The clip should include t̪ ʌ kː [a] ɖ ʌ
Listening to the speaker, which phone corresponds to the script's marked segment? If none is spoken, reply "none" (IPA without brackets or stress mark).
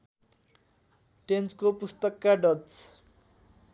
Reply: a